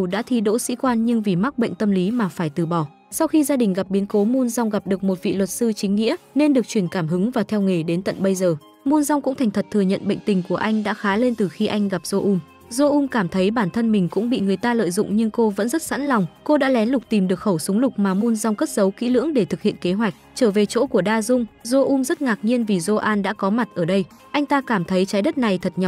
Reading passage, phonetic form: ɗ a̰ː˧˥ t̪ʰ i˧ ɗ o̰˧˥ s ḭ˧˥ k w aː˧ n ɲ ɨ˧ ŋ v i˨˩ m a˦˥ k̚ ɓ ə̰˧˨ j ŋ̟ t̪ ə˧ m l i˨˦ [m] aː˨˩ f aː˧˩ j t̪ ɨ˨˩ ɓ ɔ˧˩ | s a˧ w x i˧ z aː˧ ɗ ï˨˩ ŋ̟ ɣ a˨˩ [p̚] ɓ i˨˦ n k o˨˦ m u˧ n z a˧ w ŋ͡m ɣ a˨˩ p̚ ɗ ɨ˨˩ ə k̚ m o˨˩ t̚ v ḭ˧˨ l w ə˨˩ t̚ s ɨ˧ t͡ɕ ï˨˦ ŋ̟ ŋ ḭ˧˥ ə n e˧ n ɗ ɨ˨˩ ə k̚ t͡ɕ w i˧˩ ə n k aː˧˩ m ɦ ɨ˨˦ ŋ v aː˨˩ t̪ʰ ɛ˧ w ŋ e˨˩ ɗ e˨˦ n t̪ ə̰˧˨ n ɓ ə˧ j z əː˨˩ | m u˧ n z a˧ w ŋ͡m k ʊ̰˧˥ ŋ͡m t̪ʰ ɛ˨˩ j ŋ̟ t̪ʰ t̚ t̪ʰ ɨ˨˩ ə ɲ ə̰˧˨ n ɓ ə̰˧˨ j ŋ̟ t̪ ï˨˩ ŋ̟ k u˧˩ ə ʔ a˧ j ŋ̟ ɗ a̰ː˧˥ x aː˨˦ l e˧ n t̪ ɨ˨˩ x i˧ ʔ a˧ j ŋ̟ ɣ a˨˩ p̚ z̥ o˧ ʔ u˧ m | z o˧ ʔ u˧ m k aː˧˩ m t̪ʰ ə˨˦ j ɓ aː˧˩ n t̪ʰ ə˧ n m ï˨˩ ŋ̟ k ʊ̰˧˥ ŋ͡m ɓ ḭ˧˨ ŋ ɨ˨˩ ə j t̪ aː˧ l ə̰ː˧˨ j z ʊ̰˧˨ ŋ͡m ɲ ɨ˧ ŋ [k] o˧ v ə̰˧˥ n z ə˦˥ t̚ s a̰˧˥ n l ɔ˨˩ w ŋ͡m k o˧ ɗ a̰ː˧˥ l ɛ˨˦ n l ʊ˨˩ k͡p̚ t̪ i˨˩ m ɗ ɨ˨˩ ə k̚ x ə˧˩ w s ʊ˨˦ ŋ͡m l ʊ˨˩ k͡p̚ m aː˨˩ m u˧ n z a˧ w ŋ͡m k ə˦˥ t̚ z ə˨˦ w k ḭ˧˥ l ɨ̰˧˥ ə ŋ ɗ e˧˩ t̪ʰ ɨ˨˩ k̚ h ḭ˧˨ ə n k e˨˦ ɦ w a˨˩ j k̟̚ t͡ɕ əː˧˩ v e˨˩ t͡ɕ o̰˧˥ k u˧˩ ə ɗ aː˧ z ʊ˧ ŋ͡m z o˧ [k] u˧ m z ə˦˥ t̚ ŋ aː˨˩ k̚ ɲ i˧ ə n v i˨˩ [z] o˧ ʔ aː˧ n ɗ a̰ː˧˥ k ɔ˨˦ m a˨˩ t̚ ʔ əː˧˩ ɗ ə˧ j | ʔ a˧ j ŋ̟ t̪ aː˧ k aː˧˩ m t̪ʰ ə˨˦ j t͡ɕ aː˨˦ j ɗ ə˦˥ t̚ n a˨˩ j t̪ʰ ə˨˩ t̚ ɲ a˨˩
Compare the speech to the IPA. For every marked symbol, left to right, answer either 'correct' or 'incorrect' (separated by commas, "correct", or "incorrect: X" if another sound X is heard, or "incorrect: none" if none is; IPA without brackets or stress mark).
correct, correct, correct, incorrect: ʔ, correct